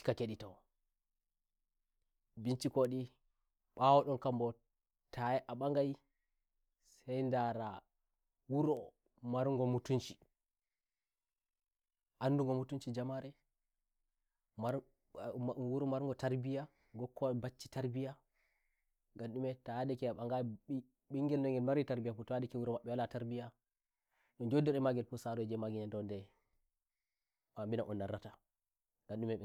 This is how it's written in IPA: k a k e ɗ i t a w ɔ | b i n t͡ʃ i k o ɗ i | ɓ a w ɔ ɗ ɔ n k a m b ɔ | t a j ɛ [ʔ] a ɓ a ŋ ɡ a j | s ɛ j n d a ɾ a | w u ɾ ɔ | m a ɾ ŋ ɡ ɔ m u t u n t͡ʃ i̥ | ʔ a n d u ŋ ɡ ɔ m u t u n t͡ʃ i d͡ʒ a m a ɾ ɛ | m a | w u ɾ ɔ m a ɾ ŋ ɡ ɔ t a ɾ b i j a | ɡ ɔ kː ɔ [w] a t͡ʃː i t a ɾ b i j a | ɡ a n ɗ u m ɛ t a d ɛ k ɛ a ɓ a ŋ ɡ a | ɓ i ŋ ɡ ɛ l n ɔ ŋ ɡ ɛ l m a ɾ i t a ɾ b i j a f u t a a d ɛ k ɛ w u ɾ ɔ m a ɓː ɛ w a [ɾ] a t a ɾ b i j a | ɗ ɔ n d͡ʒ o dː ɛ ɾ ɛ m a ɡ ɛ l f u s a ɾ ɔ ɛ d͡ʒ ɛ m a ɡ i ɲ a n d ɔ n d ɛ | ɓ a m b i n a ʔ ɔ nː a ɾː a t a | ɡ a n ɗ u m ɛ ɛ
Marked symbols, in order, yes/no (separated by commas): yes, no, no